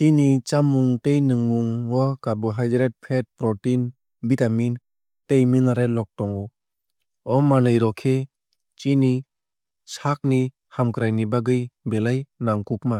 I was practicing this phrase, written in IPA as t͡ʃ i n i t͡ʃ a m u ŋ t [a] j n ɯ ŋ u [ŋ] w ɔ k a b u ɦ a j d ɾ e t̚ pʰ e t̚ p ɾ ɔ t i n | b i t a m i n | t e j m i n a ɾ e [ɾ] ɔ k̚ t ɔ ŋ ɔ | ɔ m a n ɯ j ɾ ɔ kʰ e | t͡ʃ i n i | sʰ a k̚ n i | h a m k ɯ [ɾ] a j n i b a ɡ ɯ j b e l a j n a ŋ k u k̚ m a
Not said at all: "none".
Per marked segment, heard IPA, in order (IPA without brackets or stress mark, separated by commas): e, ŋ, l, ɾ